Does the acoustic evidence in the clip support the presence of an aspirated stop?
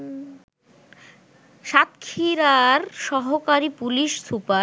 yes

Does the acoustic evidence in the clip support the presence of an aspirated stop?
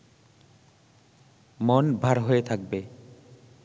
yes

